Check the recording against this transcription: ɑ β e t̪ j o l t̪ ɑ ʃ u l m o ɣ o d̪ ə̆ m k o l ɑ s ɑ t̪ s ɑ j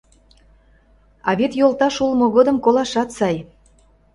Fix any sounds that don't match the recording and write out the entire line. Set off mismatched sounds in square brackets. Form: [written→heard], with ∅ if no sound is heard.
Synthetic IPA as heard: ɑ β e t̪ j o l t̪ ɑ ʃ u l m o ɣ o d̪ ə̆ m k o l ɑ [s→ʃ] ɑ t̪ s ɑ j